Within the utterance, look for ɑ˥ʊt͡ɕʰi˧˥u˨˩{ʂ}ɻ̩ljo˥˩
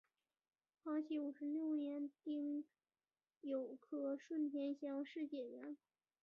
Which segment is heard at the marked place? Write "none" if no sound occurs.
ʂ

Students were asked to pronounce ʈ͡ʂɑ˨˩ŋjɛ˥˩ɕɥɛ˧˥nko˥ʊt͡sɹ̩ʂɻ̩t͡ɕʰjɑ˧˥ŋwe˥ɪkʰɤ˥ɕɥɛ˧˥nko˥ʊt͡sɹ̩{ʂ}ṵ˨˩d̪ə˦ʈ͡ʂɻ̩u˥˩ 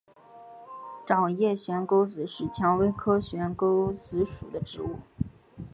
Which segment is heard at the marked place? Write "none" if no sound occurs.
ʂ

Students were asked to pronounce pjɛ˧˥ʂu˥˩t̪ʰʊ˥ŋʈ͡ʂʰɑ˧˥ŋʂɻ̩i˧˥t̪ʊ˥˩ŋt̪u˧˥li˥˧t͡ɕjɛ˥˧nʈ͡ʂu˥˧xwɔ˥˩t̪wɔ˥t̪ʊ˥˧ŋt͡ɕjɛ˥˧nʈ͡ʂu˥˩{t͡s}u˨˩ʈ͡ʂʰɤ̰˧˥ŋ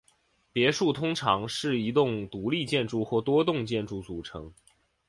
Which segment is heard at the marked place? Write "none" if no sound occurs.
t͡s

